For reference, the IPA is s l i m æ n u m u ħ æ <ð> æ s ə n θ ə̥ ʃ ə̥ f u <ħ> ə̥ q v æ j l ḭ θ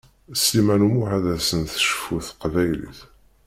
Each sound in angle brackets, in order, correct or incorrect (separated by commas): correct, incorrect